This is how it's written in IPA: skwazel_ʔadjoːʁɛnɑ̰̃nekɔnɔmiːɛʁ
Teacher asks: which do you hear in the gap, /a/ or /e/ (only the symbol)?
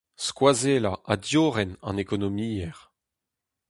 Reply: a